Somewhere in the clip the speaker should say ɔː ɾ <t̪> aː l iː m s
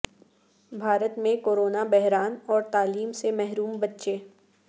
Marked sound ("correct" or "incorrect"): correct